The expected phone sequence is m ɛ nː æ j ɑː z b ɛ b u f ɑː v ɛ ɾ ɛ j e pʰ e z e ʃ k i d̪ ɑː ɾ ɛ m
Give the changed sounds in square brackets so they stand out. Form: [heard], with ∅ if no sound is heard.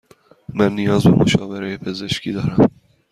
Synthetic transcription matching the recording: m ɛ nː [i] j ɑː z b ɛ [m] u [ʃ] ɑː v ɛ ɾ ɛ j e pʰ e z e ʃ k i d̪ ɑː ɾ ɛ m